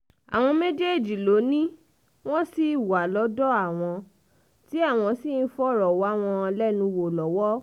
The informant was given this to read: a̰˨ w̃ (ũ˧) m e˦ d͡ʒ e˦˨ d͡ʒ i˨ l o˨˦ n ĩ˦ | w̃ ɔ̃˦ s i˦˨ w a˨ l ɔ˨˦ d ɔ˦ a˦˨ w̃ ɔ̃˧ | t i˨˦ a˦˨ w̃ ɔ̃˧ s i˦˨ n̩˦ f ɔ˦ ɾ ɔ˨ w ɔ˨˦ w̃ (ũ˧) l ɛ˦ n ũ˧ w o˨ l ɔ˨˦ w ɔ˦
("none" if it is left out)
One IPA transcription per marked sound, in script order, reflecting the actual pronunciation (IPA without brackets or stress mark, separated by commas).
ɔ̃˧, ɔ̃˧